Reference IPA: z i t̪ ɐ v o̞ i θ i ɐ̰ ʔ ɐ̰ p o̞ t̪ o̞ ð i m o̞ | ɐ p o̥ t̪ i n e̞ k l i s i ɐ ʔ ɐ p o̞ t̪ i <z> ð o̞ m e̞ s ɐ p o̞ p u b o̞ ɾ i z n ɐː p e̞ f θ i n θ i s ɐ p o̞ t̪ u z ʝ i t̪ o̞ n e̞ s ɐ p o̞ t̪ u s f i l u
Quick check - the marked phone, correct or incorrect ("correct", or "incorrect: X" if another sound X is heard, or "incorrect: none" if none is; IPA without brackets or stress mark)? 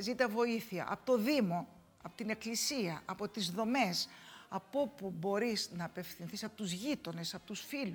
correct